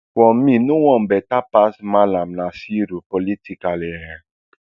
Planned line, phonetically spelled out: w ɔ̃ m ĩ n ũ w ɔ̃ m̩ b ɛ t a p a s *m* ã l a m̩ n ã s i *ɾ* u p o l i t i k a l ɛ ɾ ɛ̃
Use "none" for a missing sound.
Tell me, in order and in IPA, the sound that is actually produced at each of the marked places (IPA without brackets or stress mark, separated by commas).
m, ɾ